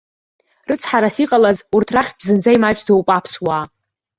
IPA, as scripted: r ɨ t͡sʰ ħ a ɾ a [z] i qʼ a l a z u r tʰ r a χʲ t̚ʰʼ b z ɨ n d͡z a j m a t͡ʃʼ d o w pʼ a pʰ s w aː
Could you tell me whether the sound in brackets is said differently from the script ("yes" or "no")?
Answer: yes